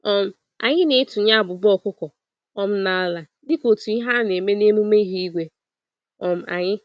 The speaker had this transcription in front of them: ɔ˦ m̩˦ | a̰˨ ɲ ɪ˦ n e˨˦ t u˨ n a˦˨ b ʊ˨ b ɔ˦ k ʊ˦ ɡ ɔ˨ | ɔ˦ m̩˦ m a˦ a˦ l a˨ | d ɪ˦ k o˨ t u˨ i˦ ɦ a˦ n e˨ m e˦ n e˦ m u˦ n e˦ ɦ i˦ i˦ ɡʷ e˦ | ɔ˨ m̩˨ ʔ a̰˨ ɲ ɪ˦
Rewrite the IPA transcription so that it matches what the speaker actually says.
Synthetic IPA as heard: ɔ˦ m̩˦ | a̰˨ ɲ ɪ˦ n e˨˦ t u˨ ɲ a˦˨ b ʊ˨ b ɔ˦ k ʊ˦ k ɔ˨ | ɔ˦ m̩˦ n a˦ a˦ l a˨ | d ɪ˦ k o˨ t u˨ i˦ ɦ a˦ n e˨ m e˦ n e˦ m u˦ m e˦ ɦ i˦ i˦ ɡʷ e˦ | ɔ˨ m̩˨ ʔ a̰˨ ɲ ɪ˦